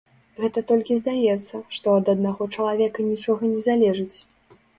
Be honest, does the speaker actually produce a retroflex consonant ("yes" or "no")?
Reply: yes